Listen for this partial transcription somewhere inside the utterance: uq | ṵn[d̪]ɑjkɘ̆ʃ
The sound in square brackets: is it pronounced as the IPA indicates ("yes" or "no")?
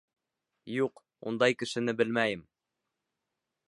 yes